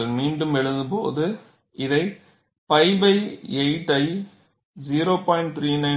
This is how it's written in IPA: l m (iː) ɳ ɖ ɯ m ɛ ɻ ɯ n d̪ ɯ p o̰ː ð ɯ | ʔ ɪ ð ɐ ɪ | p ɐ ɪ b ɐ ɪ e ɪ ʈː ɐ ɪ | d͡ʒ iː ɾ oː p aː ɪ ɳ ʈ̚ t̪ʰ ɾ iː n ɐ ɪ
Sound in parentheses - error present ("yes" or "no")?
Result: no